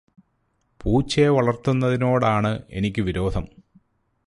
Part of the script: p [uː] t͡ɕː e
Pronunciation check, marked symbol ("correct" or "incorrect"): correct